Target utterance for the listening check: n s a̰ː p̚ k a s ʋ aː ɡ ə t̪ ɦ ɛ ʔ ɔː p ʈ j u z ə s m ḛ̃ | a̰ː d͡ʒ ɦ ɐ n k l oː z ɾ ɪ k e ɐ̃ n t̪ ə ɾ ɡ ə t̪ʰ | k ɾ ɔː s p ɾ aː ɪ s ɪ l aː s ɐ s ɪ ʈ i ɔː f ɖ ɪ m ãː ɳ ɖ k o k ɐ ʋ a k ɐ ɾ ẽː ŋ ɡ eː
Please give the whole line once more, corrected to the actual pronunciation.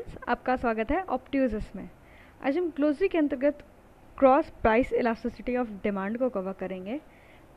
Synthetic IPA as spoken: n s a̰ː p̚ k a s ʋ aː ɡ ə t̪ ɦ ɛ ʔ ɔː p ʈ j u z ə s m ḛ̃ | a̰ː d͡ʒ ɦ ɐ m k l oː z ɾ i k e ɐ̃ n t̪ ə ɾ ɡ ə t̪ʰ | k ɾ ɔː s p ɾ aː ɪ s ɪ l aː s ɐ s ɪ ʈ i ɔː f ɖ ɪ m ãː ɳ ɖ k o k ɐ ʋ a k ɐ ɾ ẽː ŋ ɡ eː